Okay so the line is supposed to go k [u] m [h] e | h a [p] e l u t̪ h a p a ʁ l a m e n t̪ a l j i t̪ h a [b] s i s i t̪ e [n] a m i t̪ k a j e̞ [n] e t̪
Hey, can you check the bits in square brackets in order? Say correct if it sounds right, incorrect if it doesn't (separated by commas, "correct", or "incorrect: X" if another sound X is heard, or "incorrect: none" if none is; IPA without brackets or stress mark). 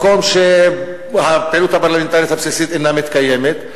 incorrect: o, incorrect: ʃ, correct, incorrect: p, correct, incorrect: m